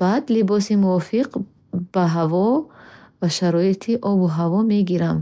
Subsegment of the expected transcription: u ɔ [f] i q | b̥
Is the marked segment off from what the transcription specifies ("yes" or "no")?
no